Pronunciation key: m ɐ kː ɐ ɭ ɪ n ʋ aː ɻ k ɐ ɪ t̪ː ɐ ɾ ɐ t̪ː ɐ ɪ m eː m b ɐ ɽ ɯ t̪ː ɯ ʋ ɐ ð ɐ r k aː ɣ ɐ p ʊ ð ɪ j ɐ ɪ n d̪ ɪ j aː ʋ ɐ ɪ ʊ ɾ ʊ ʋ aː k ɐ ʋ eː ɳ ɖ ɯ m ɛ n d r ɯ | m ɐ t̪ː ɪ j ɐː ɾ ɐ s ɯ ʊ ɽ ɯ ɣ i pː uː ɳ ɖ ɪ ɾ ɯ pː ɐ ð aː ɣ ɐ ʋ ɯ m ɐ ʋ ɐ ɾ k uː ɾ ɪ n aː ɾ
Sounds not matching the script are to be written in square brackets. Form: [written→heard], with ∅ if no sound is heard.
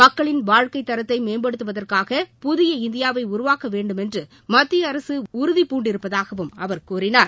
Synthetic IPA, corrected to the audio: m ɐ kː ɐ ɭ ɪ n ʋ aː ɻ k ɐ ɪ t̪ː ɐ ɾ ɐ t̪ː ɐ ɪ m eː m b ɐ ɽ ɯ t̪ː ɯ ʋ ɐ ð ɐ r k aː ɣ ɐ p ʊ ð ɪ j ɐ ɪ n d̪ ɪ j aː ʋ ɐ ɪ ʊ ɾ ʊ ʋ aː k ɐ ʋ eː ɳ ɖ ɯ m ɛ n d r ɯ | m ɐ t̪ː ɪ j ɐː ɾ ɐ s ɯ ʊ [ɽ→ɾ] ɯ [ɣ→ð] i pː uː ɳ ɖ ɪ ɾ ɯ pː ɐ ð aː ɣ ɐ ʋ ɯ m ɐ ʋ ɐ ɾ k uː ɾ ɪ n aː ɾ